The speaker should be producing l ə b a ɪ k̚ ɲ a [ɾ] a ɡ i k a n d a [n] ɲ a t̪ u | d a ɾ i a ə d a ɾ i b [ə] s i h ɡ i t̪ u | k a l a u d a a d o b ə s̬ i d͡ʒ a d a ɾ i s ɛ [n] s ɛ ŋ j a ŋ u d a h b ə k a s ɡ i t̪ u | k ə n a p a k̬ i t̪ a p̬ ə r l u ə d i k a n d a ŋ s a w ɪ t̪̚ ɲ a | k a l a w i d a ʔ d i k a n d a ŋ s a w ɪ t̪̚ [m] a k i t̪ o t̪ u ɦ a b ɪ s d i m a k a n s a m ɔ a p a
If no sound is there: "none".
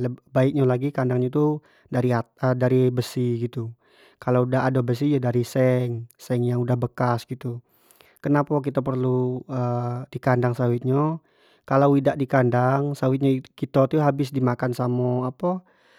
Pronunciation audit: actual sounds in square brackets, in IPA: l, ŋ, ə, ŋ, ɲ

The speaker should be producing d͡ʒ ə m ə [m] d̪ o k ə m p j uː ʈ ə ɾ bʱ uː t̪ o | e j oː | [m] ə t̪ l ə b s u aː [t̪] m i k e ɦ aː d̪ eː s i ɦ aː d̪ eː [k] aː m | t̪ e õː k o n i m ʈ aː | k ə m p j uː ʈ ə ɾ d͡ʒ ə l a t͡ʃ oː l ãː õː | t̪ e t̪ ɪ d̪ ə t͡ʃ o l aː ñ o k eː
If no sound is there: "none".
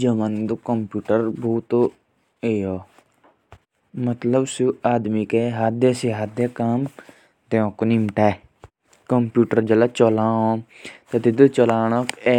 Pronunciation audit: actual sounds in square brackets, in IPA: n, m, d̪, k

